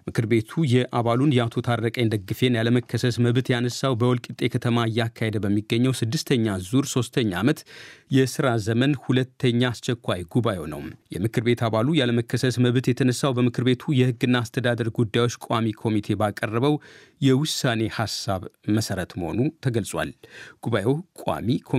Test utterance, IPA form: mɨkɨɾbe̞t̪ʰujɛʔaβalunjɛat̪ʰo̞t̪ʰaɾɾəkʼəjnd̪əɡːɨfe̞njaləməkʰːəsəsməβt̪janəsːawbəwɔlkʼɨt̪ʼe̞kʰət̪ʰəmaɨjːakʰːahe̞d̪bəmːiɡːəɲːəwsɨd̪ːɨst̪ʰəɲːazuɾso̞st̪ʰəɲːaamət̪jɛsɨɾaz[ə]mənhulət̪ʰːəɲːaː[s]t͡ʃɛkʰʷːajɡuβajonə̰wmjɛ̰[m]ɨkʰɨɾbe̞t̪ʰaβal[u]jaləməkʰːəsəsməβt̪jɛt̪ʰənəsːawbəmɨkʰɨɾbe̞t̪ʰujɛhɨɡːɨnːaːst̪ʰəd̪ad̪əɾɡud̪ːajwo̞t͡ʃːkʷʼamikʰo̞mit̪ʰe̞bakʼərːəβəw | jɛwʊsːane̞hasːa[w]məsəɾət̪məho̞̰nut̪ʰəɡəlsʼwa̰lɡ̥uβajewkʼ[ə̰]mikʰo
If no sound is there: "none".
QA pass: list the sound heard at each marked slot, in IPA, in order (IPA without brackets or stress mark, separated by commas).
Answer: ə, s, m, u, β, a̰